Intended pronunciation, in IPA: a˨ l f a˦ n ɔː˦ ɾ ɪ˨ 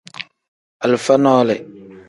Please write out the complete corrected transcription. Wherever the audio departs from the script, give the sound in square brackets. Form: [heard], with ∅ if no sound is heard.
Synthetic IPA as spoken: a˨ l f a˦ n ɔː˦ [l] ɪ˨